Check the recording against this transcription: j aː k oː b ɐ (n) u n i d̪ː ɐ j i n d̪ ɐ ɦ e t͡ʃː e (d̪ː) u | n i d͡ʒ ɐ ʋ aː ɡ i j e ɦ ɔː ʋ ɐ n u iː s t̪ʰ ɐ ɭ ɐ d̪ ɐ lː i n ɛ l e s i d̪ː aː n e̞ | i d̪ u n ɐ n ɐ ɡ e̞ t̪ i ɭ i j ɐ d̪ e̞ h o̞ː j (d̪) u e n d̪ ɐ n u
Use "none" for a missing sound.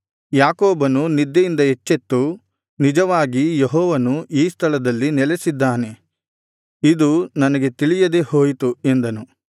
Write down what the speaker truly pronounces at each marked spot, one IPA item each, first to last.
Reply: n, t̪ː, t̪

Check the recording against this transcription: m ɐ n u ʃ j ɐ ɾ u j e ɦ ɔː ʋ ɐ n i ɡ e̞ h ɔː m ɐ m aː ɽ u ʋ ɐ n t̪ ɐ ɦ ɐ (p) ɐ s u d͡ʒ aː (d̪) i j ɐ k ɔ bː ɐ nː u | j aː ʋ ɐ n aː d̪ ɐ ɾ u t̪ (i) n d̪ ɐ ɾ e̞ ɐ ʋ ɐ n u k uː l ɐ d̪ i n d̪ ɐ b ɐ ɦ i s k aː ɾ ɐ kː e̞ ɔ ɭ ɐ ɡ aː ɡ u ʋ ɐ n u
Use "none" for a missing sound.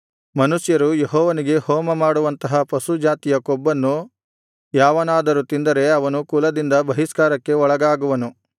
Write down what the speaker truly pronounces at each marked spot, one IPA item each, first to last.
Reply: p, t̪, i

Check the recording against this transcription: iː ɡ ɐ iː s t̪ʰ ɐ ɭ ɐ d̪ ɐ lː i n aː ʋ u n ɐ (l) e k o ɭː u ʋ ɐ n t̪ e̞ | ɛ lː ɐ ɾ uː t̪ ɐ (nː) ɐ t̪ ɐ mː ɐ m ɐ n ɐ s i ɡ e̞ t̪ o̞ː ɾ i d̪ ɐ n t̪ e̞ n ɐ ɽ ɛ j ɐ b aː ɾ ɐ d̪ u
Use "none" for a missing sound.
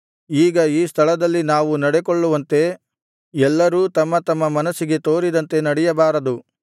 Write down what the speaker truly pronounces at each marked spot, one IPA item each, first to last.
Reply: ɽ, mː

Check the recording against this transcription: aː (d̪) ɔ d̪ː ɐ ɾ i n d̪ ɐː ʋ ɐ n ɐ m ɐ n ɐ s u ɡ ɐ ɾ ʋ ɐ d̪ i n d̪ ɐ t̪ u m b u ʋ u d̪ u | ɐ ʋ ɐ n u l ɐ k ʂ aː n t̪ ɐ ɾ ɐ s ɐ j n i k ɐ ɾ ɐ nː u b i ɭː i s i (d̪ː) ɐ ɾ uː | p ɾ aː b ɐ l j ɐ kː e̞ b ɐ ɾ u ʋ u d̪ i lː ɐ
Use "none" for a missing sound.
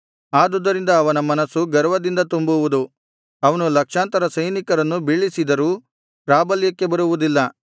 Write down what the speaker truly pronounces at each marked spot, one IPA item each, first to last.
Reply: d̪, d̪

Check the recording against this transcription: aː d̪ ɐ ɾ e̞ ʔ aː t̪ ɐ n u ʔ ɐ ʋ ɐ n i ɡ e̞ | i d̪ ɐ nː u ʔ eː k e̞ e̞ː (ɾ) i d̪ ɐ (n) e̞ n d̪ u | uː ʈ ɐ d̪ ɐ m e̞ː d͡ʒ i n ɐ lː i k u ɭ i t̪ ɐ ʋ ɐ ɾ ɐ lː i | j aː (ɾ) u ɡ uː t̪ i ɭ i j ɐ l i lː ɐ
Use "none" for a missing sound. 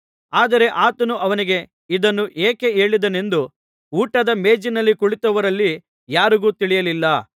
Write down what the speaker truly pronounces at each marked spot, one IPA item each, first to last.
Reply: ɭ, n, ɾ

